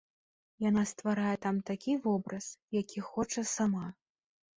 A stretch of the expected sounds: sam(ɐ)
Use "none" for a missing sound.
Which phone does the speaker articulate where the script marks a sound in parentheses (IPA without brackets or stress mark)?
a